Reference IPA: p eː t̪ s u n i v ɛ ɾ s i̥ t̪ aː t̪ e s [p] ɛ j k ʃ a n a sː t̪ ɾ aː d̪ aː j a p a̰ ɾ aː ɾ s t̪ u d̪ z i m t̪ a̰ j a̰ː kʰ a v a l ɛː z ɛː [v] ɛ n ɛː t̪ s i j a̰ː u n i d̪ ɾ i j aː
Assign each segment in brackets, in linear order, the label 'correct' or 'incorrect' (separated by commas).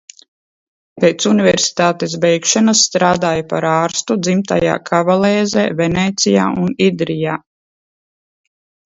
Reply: incorrect, correct